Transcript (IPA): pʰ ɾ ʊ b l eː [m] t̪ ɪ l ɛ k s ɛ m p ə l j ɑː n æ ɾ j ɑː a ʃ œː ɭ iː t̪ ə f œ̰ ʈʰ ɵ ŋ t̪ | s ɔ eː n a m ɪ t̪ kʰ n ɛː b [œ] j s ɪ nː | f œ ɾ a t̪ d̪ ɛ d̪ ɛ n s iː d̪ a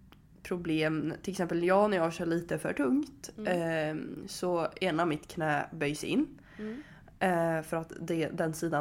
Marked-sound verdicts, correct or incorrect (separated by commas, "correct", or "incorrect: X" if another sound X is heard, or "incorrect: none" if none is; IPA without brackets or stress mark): correct, correct